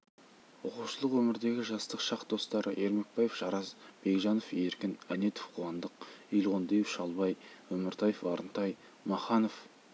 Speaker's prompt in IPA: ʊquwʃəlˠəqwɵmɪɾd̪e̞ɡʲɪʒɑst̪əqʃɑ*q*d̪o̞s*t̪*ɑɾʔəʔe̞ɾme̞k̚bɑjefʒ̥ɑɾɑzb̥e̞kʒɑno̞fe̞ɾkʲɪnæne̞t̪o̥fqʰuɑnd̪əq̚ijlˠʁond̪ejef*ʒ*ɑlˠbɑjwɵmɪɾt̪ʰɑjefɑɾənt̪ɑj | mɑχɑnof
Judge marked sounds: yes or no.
yes, yes, no

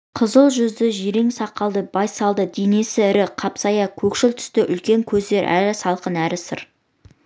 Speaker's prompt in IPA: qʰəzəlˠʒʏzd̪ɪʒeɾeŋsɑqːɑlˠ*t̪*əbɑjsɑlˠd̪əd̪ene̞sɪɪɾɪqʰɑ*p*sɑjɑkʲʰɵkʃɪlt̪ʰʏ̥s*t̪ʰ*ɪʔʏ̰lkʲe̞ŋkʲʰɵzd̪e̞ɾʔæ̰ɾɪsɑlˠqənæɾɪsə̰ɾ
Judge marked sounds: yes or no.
no, yes, no

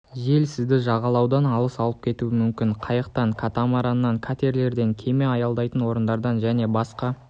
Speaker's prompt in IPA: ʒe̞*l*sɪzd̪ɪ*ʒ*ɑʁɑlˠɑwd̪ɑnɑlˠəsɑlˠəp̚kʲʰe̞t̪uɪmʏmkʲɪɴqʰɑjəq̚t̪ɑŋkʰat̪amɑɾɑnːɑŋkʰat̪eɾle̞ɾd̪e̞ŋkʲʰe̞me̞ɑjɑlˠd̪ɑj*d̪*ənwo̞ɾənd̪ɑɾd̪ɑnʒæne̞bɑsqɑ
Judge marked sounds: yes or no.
yes, yes, no

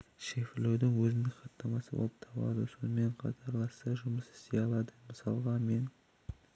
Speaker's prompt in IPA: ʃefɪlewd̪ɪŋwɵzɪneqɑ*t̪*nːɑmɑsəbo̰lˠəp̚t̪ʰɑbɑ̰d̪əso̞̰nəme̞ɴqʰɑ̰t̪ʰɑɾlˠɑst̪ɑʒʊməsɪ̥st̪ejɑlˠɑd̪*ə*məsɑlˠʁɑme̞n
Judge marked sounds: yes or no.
yes, yes

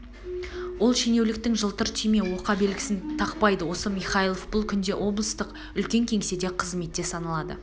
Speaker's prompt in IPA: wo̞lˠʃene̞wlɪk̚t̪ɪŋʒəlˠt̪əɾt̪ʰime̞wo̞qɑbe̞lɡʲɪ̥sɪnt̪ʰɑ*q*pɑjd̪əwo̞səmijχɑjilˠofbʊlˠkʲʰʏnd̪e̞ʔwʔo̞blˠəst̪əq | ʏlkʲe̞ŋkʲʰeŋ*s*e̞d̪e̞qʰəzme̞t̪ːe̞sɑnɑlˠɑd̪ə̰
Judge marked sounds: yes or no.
yes, yes

